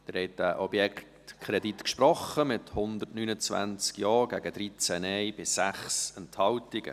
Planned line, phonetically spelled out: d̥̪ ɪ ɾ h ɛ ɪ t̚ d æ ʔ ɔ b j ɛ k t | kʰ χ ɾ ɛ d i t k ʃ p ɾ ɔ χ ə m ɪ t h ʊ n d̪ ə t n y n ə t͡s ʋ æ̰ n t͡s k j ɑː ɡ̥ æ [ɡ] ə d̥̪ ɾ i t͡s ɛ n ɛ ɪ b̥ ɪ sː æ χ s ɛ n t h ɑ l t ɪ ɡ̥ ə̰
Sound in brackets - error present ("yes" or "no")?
no